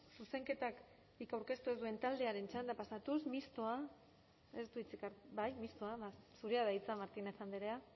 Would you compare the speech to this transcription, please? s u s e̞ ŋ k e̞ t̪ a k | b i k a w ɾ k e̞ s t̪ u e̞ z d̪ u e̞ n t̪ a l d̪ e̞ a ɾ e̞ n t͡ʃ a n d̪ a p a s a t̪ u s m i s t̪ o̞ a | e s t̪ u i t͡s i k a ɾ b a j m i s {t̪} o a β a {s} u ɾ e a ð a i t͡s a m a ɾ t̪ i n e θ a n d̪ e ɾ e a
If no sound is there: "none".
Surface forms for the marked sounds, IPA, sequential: t̪, s

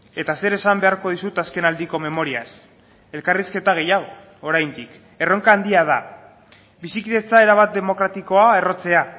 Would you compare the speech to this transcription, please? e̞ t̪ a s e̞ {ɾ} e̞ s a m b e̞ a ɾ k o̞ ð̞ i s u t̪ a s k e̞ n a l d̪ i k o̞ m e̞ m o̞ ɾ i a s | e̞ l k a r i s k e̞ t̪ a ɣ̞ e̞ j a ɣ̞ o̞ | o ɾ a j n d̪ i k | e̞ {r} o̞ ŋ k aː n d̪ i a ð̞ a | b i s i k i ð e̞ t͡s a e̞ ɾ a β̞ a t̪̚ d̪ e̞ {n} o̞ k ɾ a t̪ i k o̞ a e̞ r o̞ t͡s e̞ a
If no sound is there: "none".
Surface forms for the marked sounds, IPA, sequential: ɾ, r, m

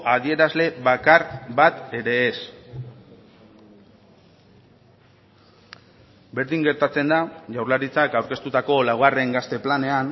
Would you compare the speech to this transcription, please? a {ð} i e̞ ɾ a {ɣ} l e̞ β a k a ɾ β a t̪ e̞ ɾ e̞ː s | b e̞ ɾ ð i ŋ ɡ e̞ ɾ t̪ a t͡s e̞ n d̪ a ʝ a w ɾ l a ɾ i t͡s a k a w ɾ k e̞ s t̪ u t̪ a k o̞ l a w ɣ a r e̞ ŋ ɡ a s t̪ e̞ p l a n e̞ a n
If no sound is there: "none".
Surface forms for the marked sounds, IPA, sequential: ð, z

